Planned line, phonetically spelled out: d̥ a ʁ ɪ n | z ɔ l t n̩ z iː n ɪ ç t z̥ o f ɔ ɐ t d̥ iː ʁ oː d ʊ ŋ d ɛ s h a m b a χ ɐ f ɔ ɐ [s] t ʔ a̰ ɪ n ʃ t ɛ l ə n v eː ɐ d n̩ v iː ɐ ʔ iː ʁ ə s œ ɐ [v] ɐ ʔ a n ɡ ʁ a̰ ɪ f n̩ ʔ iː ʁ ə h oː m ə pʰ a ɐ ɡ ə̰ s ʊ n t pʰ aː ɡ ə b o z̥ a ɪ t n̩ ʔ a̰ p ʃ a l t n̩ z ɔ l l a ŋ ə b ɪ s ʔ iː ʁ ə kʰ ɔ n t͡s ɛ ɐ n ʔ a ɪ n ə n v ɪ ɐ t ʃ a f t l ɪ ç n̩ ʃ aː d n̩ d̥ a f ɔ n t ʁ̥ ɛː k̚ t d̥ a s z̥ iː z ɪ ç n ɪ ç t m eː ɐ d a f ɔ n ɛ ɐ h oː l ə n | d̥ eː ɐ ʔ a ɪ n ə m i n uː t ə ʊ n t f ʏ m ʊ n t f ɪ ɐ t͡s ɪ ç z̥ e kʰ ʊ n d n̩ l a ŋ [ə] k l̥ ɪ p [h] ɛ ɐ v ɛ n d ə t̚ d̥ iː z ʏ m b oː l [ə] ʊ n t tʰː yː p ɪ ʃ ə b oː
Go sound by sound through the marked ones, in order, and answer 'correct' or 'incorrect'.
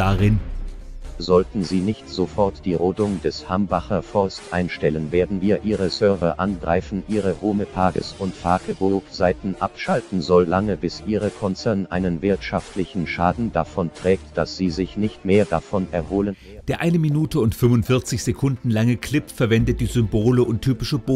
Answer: correct, correct, correct, incorrect, correct

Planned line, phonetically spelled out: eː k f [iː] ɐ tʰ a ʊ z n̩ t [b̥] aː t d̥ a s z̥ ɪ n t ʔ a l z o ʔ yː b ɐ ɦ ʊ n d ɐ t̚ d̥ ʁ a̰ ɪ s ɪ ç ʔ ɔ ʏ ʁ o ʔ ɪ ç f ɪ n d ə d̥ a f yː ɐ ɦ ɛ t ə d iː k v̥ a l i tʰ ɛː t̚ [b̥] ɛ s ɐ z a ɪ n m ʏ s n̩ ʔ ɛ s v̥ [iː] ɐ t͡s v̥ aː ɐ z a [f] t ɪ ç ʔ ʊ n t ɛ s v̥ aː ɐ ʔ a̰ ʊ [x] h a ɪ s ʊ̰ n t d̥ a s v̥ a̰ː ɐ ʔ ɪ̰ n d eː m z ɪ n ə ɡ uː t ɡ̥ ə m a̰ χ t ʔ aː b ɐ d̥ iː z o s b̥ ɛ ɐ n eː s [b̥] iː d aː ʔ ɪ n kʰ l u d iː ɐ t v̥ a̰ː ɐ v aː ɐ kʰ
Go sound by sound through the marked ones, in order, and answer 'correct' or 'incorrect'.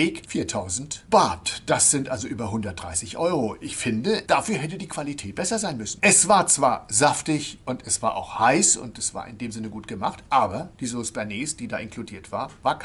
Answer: correct, correct, correct, incorrect, correct, correct, incorrect

